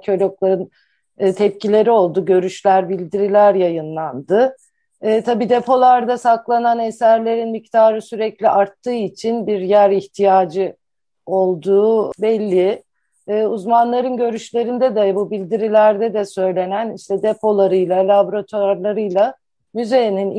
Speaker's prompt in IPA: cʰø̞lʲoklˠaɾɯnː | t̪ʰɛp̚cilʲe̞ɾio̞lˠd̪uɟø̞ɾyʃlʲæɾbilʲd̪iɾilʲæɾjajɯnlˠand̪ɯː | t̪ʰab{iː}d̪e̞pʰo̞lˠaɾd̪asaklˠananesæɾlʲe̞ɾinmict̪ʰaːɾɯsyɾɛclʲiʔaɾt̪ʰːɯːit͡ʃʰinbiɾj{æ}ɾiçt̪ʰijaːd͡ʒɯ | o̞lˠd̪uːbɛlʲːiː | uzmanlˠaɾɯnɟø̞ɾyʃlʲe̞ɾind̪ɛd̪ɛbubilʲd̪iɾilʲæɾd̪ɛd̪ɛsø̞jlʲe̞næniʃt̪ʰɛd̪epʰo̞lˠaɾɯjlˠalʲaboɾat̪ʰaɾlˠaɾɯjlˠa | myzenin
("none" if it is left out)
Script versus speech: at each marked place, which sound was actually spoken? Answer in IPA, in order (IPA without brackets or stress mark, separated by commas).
iː, æ